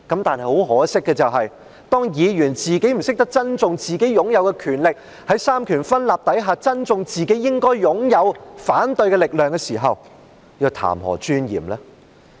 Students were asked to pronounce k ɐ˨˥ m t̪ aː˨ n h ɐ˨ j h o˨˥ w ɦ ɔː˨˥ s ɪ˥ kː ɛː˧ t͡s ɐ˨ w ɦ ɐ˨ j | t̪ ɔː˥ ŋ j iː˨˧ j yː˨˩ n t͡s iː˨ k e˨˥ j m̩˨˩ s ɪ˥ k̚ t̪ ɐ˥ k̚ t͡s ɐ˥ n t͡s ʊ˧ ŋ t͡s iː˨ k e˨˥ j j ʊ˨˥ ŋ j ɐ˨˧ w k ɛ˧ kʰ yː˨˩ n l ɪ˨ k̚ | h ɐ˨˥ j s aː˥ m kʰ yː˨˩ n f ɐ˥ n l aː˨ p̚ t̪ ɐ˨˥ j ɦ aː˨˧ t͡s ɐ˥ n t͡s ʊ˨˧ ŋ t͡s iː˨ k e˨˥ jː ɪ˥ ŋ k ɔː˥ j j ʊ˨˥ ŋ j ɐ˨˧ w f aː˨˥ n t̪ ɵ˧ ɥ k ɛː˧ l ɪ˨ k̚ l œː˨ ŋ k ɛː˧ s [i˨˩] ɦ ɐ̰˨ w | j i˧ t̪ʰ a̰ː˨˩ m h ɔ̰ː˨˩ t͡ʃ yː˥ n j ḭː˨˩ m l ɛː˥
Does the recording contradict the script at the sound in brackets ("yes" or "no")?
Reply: yes